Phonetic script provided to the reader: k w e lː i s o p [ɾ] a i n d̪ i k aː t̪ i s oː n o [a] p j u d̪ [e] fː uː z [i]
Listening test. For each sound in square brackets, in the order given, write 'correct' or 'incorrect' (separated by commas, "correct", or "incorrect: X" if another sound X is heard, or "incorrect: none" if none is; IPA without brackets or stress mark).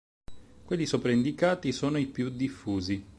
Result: correct, incorrect: i, incorrect: i, correct